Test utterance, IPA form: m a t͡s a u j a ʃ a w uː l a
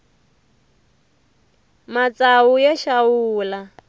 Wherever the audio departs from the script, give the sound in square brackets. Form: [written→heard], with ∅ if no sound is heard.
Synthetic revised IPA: m a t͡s a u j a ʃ a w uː l a